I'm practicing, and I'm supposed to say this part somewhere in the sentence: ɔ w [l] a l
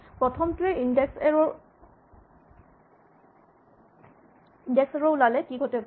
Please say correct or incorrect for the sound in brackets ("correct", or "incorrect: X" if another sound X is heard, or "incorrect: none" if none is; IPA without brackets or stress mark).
correct